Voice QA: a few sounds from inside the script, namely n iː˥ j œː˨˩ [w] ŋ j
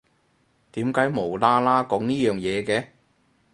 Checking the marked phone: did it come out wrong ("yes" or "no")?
yes